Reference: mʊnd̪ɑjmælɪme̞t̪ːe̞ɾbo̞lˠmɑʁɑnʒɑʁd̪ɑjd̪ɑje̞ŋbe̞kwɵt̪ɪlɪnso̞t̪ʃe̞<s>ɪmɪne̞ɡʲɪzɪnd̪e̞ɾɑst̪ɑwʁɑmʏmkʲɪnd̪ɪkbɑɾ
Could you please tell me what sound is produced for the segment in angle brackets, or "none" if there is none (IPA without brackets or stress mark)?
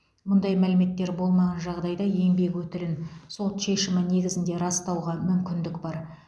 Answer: ʃ